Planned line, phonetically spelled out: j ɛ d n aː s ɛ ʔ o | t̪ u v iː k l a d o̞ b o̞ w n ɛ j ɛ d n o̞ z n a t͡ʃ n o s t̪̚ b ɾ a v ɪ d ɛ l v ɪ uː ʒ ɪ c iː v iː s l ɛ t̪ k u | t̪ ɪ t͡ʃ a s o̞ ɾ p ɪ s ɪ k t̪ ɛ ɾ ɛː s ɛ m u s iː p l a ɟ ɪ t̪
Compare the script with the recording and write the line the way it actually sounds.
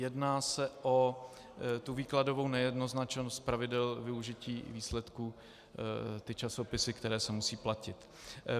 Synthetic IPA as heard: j ɛ d n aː s ɛ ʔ o | t̪ u v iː k l a d o̞ v o̞ w n ɛ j ɛ d n o̞ z n a t͡ʃ n o s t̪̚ p ɾ a v ɪ d ɛ l v ɪ u ʒ ɪ c iː v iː s l ɛ t̪ k u | t̪ ɪ t͡ʃ a s o̞ p ɪ s ɪ k t̪ ɛ ɾ ɛː s ɛ m u s iː p l a c ɪ t̪